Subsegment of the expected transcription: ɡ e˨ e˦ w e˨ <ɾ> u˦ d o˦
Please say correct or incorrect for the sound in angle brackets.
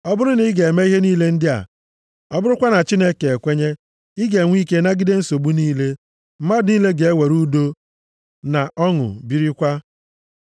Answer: correct